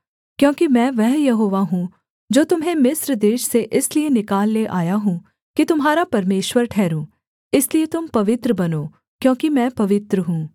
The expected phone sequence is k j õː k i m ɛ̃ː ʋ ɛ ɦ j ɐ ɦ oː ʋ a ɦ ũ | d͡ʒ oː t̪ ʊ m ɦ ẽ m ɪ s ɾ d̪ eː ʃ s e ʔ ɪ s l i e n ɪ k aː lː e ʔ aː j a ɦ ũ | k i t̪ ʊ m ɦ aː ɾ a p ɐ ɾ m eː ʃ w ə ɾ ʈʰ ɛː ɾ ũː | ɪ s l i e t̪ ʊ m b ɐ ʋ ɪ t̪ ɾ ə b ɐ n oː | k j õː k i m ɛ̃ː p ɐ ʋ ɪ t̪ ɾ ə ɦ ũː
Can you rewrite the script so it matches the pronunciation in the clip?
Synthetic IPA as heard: k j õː k i m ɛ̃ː ʋ ɛ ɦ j ɐ ɦ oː ʋ a ɦ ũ | d͡ʒ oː t̪ ʊ m ɦ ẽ m ɪ s ɾ d̪ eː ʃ s e ʔ ɪ s l i e n ɪ k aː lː e ʔ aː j a ɦ ũ | k i t̪ ʊ m ɦ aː ɾ a p ɐ ɾ m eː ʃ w ə ɾ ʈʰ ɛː ɾ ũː | ɪ s l i e t̪ ʊ m p ɐ ʋ ɪ t̪ ɾ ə b ɐ n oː | k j õː k i m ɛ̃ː p ɐ ʋ ɪ t̪ ɾ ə ɦ ũː